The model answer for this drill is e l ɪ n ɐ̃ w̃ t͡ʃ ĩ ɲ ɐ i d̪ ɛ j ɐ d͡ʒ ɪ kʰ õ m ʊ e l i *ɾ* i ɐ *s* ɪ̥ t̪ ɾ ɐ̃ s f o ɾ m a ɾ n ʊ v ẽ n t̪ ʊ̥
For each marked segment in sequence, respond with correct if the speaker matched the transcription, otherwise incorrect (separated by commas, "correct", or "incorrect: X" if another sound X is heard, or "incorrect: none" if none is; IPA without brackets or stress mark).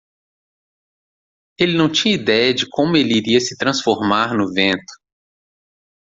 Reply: correct, correct